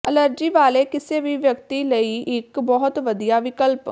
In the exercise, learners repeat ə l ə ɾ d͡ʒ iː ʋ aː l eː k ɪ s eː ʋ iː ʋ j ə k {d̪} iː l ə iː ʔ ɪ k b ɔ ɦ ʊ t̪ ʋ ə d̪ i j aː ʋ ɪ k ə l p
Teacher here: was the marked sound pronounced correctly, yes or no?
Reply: no